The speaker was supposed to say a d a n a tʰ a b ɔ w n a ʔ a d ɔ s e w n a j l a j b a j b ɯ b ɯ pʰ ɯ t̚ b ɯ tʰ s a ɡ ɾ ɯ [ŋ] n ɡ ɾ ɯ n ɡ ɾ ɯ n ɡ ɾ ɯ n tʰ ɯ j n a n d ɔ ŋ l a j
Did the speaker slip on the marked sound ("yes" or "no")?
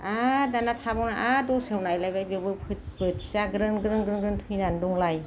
yes